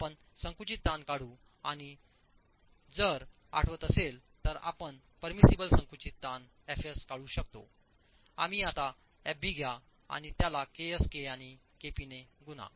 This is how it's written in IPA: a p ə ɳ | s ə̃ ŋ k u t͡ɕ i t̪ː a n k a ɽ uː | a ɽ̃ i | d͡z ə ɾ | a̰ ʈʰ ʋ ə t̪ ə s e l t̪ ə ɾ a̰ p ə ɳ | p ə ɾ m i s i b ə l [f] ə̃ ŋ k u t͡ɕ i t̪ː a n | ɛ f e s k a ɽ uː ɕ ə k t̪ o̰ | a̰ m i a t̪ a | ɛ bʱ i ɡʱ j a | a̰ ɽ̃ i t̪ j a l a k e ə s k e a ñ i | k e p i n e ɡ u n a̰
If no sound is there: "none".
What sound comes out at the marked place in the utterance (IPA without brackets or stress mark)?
s